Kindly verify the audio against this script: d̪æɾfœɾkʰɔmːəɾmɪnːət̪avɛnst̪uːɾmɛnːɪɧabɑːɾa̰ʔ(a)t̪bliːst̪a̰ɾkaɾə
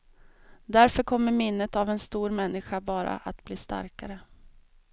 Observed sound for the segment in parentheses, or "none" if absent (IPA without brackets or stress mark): a